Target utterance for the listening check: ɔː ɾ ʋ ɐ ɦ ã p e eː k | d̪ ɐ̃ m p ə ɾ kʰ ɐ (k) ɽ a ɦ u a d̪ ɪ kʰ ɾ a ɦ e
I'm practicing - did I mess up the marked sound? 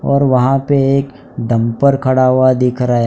yes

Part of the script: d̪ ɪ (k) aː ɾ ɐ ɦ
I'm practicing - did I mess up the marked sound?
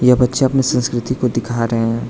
yes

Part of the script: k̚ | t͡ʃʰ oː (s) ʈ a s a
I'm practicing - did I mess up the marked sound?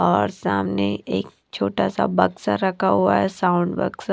yes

